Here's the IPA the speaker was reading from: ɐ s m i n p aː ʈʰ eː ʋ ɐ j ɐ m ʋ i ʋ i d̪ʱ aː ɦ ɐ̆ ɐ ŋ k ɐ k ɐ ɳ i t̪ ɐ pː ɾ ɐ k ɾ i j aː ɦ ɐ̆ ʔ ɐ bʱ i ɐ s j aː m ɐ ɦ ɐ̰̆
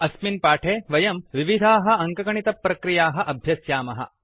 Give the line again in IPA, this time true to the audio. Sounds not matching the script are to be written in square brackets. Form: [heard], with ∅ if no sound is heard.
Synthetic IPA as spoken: ɐ s m i n p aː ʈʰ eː ʋ ɐ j ɐ m ʋ i ʋ i d̪ʱ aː ɦ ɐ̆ ɐ ŋ k ɐ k ɐ ɳ i t̪ ɐ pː ɾ ɐ k ɾ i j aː ɦ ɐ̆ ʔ ɐ bʱ [j] ɐ s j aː m ɐ ɦ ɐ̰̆